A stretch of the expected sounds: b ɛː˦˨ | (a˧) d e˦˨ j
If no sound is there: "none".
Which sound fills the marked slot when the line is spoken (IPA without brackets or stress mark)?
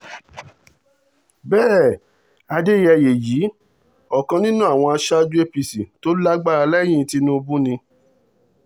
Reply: a˧